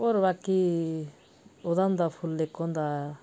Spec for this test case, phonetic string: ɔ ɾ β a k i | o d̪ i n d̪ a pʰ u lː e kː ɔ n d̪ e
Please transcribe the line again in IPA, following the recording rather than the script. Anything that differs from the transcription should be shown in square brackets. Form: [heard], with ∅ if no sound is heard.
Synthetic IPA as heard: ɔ ɾ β a k i | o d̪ [a] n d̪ a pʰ u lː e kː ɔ n d̪ [a]